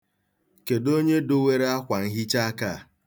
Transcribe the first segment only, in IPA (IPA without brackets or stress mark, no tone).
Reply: k